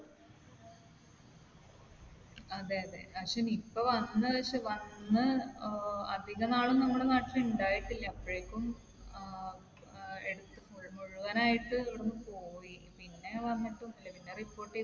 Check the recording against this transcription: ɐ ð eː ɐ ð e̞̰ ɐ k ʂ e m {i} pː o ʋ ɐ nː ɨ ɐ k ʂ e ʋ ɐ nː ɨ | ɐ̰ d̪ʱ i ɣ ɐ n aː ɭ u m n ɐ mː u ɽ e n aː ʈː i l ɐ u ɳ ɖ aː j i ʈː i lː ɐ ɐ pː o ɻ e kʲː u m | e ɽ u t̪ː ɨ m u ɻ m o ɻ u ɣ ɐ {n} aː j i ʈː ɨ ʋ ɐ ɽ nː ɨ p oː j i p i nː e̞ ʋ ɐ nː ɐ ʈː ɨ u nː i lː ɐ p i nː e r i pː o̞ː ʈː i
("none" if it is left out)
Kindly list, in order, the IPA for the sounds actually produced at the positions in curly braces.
i, n

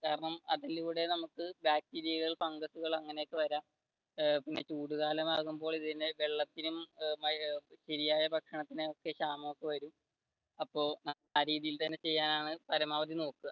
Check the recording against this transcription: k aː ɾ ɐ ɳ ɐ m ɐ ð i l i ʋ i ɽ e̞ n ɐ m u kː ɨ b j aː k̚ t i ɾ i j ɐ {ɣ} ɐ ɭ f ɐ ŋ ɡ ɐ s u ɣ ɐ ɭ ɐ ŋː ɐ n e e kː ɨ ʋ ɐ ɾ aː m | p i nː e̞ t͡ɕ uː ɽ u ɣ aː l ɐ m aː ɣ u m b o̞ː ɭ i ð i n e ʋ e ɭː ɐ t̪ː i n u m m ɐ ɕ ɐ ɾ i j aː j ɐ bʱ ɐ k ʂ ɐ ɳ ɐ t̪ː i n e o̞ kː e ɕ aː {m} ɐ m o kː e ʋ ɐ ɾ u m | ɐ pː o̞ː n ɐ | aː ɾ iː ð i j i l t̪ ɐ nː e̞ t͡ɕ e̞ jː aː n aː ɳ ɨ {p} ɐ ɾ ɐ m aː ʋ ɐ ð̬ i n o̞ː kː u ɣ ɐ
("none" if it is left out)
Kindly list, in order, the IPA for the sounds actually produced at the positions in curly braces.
ɣ, m, p

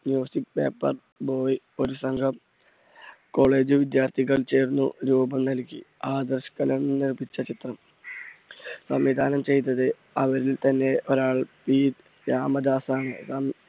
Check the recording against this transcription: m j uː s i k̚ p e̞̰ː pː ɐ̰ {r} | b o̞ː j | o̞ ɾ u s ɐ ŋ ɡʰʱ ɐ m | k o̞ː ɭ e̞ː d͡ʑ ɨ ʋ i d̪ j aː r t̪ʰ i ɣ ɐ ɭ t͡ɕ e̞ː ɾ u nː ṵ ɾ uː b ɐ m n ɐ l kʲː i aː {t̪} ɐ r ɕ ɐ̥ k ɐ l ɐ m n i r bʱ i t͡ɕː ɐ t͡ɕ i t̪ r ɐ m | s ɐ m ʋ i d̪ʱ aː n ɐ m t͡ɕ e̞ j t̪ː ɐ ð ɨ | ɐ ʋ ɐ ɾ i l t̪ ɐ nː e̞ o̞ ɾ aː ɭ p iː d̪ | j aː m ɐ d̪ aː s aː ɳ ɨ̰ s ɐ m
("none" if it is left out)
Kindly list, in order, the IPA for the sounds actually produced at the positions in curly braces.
r, d̪

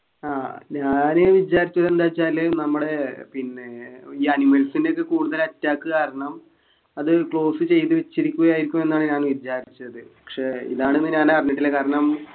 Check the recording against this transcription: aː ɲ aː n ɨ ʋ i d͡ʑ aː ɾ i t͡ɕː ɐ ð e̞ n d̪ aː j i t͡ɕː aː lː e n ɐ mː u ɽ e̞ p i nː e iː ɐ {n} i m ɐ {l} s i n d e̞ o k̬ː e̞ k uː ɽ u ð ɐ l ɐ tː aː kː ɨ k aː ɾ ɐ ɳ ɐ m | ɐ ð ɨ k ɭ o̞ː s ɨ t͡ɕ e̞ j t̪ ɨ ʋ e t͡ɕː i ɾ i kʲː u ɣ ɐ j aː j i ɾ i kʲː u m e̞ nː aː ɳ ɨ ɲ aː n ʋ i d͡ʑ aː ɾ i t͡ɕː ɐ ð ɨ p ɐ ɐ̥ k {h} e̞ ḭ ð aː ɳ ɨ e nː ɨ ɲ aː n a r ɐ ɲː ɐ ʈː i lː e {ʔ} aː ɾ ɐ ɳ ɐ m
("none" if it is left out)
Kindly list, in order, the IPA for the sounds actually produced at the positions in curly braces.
n, l, ʂ, k

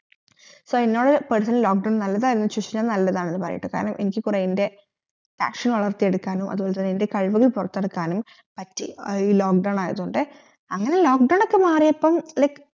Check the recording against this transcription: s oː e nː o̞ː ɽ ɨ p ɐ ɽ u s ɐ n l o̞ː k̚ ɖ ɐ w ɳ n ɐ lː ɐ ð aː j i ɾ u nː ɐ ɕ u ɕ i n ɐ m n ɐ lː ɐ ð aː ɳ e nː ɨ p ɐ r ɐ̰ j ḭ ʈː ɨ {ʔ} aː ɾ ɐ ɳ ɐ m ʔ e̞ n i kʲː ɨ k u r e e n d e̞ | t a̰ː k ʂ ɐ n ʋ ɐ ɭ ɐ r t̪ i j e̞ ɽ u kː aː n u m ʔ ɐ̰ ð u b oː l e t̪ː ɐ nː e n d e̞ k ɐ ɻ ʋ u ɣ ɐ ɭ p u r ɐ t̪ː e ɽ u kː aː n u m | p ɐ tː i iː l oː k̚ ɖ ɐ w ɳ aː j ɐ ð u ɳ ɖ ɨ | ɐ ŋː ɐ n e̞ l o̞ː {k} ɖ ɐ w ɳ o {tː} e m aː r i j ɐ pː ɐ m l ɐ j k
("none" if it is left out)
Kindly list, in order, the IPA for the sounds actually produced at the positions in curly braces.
k, k, kː

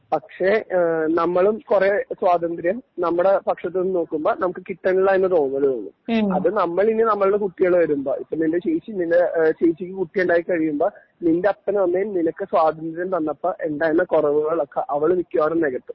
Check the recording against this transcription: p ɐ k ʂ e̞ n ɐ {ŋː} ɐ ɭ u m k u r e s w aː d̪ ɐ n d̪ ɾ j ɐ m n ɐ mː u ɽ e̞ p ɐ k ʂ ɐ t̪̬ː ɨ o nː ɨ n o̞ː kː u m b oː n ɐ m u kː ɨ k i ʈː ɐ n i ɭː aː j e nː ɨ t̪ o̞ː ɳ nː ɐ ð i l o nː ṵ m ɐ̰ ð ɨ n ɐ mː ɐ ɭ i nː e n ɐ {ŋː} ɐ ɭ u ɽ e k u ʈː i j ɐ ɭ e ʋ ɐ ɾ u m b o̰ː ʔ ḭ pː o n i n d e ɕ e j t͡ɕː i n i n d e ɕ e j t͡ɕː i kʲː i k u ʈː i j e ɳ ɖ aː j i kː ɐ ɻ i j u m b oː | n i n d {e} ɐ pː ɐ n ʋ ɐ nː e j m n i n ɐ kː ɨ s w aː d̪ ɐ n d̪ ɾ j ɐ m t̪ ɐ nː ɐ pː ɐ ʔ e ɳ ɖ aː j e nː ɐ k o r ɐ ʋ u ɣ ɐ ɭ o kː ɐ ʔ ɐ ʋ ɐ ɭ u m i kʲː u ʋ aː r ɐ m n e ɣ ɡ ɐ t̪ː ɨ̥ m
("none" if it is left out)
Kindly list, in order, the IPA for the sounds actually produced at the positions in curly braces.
mː, mː, e

